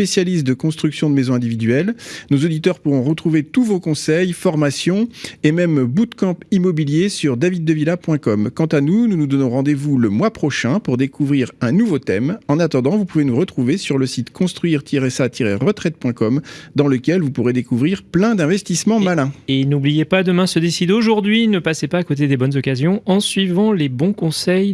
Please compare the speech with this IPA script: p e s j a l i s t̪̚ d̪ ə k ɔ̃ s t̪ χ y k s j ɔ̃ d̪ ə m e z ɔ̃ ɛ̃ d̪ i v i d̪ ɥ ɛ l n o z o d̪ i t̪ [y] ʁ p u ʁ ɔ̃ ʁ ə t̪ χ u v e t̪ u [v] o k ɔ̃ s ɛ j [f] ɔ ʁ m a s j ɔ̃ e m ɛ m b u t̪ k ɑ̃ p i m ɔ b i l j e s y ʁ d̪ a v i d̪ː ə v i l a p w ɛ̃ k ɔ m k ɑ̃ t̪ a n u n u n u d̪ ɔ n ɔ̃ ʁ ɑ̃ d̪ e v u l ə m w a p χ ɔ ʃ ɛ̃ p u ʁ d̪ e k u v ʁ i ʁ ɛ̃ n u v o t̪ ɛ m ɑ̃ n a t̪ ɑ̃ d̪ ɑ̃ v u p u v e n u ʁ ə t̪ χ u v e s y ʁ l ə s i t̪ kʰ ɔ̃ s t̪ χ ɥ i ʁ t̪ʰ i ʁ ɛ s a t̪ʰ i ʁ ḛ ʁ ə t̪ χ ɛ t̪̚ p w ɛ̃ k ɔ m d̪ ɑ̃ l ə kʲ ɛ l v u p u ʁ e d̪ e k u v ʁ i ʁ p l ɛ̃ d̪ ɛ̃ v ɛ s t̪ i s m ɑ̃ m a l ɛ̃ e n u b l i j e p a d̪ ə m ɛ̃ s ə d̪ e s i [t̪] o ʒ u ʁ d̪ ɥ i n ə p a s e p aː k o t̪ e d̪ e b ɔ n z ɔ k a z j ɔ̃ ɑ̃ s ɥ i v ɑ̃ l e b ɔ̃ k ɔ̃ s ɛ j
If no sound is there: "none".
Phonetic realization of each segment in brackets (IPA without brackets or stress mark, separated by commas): œ, v, f, d̪